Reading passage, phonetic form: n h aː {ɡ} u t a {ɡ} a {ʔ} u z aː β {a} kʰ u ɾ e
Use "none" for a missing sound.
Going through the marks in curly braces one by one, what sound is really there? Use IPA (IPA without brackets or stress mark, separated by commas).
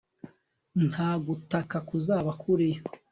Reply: ɡ, k, k, a